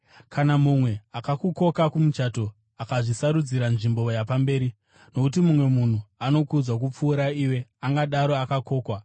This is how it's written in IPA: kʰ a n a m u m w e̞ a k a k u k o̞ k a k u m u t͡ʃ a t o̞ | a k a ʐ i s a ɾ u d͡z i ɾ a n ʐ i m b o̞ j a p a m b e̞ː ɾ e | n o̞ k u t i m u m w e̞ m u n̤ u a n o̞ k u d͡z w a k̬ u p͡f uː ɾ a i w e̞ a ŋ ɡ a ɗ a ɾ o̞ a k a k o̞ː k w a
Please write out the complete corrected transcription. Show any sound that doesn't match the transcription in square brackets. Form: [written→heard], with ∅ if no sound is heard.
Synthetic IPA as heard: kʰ a n a m u m w e̞ a k a k u k o̞ k a k u m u t͡ʃ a t o̞ | a k a ʐ i s a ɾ u d͡z i ɾ a n ʐ i m b o̞ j a p a m b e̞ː ɾ [e→i] | n o̞ k u t i m u m w e̞ m u n̤ u a n o̞ k u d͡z w a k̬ u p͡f uː ɾ a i w e̞ a ŋ ɡ a ɗ a ɾ o̞ a k a k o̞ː k w a

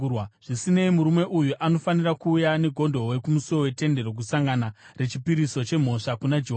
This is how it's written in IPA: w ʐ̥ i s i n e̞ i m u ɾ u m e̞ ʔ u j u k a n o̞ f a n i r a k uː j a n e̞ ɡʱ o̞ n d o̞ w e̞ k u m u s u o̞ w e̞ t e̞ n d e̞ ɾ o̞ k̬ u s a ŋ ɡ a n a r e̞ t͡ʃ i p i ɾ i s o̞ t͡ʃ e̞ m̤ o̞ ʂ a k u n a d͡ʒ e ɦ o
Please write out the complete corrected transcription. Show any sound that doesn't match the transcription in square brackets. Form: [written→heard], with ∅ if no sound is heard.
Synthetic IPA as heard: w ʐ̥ i s i n e̞ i m u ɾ u m e̞ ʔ u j u [k→ʔ] a n o̞ f a n i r a k uː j a n e̞ ɡʱ o̞ n d o̞ w e̞ k u m u s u o̞ w e̞ t e̞ n d e̞ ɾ o̞ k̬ u s a ŋ ɡ a n a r e̞ t͡ʃ i p i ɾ i s o̞ t͡ʃ e̞ m̤ o̞ ʂ a k u n a d͡ʒ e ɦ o

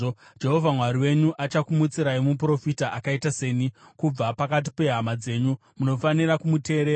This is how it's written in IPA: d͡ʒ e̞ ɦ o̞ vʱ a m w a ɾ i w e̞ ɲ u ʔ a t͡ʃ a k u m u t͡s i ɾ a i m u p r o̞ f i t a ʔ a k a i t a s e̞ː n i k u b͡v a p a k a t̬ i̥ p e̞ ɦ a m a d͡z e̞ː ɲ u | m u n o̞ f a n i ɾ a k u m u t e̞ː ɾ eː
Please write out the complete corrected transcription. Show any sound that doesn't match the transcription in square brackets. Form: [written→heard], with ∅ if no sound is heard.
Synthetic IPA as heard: d͡ʒ e̞ ɦ o̞ vʱ a m w a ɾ i w e̞ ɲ u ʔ a t͡ʃ a k u m u t͡s i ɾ a i m u p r o̞ f i t a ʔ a k a i t a s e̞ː n i k u b͡v a p a k a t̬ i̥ p e̞ ɦ a m a d͡z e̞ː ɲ u | m u n o̞ f a n i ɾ a k u m u t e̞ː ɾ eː

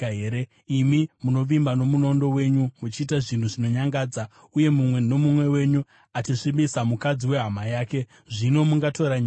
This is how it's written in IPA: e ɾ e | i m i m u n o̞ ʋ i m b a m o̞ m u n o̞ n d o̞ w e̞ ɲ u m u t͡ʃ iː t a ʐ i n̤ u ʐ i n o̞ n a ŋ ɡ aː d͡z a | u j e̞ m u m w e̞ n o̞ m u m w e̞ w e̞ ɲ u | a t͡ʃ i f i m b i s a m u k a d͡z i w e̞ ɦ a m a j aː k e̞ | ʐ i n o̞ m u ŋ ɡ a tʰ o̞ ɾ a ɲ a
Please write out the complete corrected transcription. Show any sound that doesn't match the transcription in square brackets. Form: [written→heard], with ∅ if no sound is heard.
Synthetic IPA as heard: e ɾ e | i m i m u n o̞ ʋ i m b a [m→n] o̞ m u n o̞ n d o̞ w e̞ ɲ u m u t͡ʃ iː t a ʐ i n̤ u ʐ i n o̞ [n→ɲ] a ŋ ɡ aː d͡z a | u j e̞ m u m w e̞ n o̞ m u m w e̞ w e̞ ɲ u | a t͡ʃ i [f→ʂ] i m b i s a m u k a d͡z i w e̞ ɦ a m a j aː k e̞ | ʐ i n o̞ m u ŋ ɡ a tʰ o̞ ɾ a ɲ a

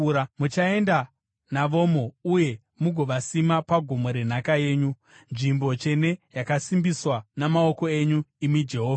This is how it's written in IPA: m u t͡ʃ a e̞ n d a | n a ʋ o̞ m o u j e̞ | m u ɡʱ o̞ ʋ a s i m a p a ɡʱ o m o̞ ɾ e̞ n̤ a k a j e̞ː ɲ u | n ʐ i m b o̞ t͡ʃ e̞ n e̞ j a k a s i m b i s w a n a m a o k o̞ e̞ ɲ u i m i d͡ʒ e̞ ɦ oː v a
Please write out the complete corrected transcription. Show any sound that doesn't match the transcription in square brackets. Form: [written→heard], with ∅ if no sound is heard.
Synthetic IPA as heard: m u t͡ʃ a e̞ n d a | n a ʋ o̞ m o u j e̞ | m u ɡʱ o̞ ʋ a s i m a p a ɡʱ o m o̞ ɾ e̞ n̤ a k a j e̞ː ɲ u | n ʐ i m b o̞ t͡ʃ e̞ n e̞ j a k a s i m b i s w a n a m a o k o̞ e̞ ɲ u i m i d͡ʒ e̞ ɦ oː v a

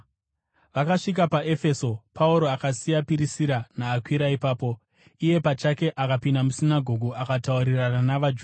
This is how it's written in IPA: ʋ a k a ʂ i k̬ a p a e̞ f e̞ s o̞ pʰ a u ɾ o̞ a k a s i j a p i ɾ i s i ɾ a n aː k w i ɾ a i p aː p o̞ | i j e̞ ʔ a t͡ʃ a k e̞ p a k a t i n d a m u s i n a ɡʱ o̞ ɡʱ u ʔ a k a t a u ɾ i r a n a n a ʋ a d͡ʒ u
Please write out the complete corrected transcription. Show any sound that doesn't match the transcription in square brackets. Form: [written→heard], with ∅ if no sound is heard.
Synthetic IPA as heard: ʋ a k a ʂ i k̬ a p a e̞ f e̞ s o̞ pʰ a u ɾ o̞ a k a s i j a p i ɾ i s i ɾ a n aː k w i ɾ a i p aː p o̞ | i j e̞ [ʔ→p] a t͡ʃ a k e̞ [p→ʔ] a k a [t→p] i n d a m u s i n a ɡʱ o̞ ɡʱ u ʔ a k a t a u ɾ i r a n a n a ʋ a d͡ʒ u

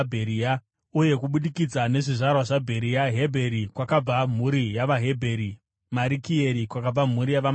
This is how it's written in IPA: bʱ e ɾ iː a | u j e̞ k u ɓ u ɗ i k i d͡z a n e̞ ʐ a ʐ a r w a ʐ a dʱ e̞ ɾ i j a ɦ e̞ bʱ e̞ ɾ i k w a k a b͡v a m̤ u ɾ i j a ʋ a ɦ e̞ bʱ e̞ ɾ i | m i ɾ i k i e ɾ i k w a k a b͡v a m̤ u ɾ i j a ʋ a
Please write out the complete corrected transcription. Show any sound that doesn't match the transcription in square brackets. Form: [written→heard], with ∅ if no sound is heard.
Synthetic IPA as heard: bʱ e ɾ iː a | u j e̞ k u ɓ u ɗ i k i d͡z a n e̞ ʐ [a→i] ʐ a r w a ʐ a [dʱ→bʱ] e̞ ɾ i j a ɦ e̞ bʱ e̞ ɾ i k w a k a b͡v a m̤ u ɾ i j a ʋ a ɦ e̞ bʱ e̞ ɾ i | m [i→a] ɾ i k i e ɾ i k w a k a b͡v a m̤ u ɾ i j a ʋ a

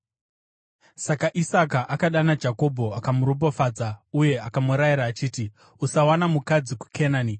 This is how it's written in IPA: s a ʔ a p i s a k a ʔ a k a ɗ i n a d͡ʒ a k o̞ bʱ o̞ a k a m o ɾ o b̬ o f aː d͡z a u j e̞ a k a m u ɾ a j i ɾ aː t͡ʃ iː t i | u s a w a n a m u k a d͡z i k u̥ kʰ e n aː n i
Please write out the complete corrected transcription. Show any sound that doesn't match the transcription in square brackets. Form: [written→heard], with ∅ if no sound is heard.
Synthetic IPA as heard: s a [ʔ→k] a [p→ʔ] i s a k a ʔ a k a ɗ [i→a] n a d͡ʒ a k o̞ bʱ o̞ a k a m [o→u] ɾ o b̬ o f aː d͡z a u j e̞ a k a m u ɾ a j i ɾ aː t͡ʃ iː t i | u s a w a n a m u k a d͡z i k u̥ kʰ e n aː n i

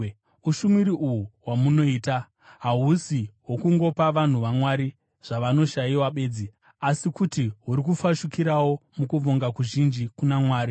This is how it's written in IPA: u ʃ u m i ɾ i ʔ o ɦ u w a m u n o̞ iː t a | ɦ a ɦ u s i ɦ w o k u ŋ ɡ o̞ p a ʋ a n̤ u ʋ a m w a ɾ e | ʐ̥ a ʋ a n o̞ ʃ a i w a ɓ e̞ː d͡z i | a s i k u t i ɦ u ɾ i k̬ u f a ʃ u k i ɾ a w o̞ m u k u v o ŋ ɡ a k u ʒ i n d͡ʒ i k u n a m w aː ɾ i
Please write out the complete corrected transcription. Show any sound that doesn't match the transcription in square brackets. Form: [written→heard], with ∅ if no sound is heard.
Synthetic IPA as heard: u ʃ u m i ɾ i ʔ [o→u] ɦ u w a m u n o̞ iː t a | ɦ a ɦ u s i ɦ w o k u ŋ ɡ o̞ p a ʋ a n̤ u ʋ a m w a ɾ [e→i] | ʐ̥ a ʋ a n o̞ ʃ a i w a ɓ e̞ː d͡z i | a s i k u t i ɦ u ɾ i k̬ u f a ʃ u k i ɾ a w o̞ m u k u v o ŋ ɡ a k u ʒ i n d͡ʒ i k u n a m w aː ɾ i

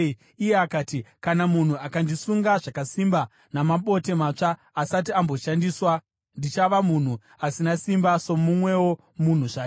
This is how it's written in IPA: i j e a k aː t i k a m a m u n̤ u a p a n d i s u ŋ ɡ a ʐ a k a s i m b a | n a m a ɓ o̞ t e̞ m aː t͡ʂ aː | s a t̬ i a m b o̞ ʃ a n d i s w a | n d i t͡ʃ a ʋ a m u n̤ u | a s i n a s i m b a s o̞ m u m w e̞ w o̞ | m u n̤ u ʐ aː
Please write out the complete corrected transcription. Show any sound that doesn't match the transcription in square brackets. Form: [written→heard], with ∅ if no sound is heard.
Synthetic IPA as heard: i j e a k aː t i k a [m→n] a m u n̤ u a [p→k] a n d i s u ŋ ɡ a ʐ a k a s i m b a | n a m a ɓ o̞ t e̞ m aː t͡ʂ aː | s a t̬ i a m b o̞ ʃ a n d i s w a | n d i t͡ʃ a ʋ a m u n̤ u | a s i n a s i m b a s o̞ m u m w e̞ w o̞ | m u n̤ u ʐ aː

